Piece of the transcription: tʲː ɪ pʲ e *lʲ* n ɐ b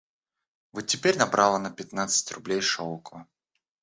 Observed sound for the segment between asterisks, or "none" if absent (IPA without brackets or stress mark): ɾʲ